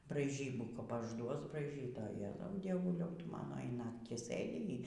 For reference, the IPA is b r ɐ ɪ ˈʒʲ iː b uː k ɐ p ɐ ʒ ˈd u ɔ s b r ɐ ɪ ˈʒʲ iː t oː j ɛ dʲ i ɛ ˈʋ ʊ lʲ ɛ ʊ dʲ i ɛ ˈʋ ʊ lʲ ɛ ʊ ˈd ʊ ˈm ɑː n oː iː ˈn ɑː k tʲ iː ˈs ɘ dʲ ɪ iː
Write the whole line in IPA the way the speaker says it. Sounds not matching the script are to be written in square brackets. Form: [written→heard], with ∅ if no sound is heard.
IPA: b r ɐ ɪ ˈʒʲ iː b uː k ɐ p ɐ ʒ ˈd u ɔ s b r ɐ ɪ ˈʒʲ iː t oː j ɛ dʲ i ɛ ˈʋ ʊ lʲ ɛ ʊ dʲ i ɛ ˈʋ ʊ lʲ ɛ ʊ [ˈd→ˈt] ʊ ˈm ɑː n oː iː ˈn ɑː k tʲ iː ˈs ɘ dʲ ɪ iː